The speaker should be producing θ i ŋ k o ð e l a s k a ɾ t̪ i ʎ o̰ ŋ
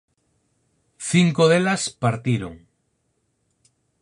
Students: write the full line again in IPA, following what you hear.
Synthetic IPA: θ i ŋ k o ð e l a s p a ɾ t̪ i ɾ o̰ ŋ